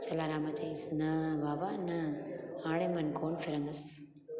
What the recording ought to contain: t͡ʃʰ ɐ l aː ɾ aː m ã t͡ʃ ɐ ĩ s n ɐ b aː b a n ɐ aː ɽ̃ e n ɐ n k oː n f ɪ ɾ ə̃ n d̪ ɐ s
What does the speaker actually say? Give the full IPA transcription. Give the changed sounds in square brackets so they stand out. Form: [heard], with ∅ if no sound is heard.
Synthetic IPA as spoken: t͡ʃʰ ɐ l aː ɾ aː m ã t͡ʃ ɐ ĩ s n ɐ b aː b a n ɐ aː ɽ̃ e [m] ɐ n k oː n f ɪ ɾ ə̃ n d̪ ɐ s